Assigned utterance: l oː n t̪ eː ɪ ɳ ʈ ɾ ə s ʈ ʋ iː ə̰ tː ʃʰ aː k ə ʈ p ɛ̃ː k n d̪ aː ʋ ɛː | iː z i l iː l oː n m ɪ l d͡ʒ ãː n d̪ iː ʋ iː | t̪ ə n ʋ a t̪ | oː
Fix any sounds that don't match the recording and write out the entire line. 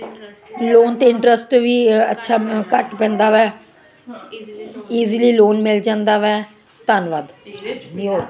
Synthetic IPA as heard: l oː n t̪ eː ɪ ɳ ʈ ɾ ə s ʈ ʋ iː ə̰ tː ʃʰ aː k ə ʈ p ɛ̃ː n d̪ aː ʋ ɛː | iː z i l iː l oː n m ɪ l d͡ʒ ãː n d̪ aː ʋ ɛː | t̪ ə n ʋ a d̪ | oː